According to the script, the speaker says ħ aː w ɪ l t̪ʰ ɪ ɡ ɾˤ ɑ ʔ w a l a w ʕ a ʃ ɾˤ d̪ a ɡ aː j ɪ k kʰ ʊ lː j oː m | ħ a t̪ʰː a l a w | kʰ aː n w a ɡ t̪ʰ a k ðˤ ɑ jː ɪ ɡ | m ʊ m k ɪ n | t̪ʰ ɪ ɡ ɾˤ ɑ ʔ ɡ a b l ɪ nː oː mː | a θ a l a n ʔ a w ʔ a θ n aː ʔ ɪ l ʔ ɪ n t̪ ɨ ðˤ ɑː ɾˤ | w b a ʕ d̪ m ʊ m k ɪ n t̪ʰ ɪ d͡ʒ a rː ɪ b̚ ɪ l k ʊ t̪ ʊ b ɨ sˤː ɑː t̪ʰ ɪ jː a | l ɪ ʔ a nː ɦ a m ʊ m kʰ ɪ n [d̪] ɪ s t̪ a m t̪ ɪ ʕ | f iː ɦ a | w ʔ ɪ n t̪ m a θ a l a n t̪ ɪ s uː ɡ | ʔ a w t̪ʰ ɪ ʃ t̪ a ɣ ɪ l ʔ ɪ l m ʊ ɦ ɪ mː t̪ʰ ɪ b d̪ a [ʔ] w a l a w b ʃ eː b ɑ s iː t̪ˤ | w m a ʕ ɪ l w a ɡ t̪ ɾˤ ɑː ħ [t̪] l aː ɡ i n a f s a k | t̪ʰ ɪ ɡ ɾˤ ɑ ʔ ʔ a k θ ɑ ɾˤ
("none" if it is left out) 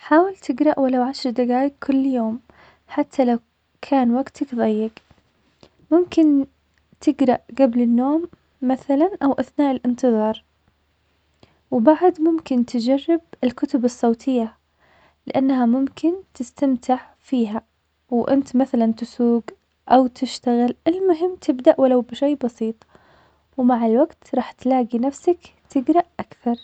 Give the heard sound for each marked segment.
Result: t̪, ʔ, t̪

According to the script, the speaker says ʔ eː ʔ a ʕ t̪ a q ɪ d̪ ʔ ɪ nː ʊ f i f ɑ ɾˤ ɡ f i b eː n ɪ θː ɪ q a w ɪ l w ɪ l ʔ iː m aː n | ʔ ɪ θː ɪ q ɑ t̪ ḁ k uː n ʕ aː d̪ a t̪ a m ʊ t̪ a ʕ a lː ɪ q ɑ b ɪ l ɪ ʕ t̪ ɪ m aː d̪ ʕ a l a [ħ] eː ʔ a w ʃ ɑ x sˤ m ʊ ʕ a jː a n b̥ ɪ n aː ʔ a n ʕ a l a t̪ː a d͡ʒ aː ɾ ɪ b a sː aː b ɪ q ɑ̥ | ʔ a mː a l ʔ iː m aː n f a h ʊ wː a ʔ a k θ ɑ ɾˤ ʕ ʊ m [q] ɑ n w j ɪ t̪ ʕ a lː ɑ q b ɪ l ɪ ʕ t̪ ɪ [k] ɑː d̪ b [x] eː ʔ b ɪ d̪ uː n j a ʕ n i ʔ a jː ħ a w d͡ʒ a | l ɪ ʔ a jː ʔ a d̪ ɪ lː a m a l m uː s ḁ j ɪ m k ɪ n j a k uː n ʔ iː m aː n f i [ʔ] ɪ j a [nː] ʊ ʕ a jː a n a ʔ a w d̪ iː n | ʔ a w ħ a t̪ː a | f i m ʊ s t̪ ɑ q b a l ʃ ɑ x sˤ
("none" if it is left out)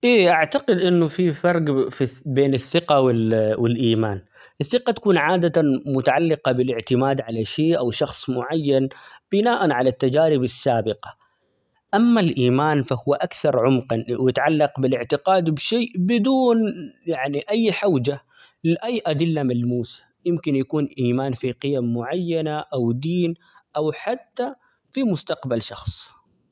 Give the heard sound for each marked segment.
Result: ʃ, q, q, ʃ, q, mː

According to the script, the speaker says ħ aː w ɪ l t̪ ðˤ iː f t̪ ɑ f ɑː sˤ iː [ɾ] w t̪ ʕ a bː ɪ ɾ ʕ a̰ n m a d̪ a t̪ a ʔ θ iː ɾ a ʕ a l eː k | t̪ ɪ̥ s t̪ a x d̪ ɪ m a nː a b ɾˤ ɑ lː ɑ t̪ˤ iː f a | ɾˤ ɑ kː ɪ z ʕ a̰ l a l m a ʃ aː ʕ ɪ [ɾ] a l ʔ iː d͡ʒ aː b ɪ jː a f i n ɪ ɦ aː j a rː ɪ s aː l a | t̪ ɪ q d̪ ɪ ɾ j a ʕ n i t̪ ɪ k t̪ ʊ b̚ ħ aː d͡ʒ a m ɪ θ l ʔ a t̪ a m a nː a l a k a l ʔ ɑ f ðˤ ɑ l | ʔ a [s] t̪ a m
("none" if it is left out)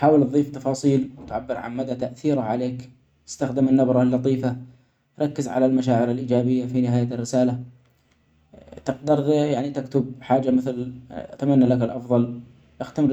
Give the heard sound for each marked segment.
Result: l, ɾ, x

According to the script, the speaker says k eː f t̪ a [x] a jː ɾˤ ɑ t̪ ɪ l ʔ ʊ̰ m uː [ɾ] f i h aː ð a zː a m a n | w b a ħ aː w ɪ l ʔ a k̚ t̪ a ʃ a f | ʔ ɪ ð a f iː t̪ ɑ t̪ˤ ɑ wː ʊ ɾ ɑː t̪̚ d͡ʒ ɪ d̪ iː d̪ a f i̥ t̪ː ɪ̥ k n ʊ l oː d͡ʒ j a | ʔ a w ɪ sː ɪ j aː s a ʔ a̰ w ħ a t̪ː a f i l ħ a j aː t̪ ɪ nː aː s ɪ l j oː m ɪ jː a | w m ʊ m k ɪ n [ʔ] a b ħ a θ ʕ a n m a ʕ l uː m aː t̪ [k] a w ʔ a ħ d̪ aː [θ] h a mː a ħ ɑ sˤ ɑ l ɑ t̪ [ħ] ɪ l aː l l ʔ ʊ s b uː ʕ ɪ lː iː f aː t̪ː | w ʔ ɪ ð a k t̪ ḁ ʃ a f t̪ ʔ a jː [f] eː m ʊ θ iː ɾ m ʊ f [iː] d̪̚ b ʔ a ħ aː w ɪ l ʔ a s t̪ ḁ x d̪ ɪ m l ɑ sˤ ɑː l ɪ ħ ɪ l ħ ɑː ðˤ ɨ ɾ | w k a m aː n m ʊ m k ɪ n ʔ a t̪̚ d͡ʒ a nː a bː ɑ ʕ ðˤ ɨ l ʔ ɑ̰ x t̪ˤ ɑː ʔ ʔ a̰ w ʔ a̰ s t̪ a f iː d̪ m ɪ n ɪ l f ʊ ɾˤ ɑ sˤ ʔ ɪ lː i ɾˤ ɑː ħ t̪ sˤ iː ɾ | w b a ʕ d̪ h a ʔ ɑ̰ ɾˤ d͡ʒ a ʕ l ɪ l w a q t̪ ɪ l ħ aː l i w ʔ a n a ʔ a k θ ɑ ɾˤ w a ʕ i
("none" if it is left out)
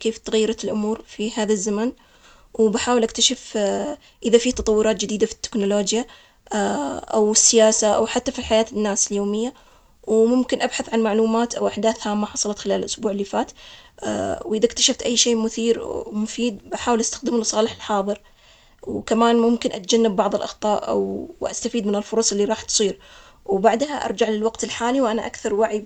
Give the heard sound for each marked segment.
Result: ɣ, ɾ, ʔ, ʔ, θ, x, ʃ, iː

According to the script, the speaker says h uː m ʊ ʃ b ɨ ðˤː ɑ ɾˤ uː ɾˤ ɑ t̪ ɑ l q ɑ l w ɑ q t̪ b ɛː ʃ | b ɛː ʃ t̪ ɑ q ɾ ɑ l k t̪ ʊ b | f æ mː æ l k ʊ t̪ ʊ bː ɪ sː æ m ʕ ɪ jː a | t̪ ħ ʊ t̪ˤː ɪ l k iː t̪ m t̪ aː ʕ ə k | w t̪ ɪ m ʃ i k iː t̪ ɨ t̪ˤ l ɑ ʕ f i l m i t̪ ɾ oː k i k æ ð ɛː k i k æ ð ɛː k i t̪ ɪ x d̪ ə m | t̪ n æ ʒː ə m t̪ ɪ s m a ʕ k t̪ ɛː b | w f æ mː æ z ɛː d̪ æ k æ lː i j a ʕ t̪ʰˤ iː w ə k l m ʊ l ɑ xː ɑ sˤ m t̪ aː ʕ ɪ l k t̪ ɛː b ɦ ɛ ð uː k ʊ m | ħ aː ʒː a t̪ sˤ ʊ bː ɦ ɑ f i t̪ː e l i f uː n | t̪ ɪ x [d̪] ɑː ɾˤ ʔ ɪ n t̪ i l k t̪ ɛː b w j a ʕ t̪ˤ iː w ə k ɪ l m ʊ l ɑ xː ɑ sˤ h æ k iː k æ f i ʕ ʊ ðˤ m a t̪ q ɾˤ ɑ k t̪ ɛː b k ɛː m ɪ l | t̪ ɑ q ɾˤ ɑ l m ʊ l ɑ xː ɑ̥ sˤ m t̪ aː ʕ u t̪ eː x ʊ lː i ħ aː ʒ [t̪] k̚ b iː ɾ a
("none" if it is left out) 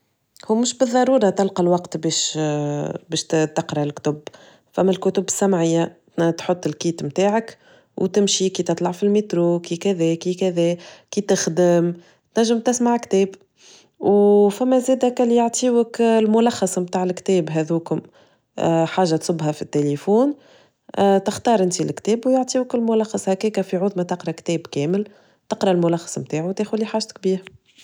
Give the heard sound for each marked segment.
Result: t̪, t̪

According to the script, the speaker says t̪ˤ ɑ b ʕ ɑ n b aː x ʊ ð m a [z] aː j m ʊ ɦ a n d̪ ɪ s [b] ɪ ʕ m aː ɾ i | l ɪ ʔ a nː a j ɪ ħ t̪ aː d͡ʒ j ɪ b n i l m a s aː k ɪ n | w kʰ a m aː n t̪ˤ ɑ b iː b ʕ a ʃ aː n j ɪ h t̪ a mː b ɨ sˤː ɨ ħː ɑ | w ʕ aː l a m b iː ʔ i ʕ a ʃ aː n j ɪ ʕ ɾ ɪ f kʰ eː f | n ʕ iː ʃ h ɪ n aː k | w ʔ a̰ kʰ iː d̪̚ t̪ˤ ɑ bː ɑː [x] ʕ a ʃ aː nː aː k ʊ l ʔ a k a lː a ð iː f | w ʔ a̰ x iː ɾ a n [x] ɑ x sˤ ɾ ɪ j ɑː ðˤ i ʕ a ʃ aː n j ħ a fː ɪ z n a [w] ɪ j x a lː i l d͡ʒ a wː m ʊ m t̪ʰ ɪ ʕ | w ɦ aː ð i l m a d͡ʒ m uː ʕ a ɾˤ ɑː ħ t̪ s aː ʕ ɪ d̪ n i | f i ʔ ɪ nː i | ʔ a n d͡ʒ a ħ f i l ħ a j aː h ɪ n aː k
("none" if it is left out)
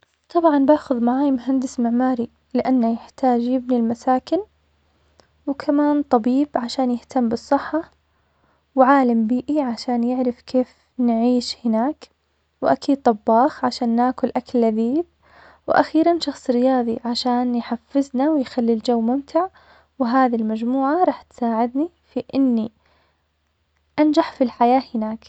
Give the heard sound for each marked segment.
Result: ʕ, m, x, ʃ, w

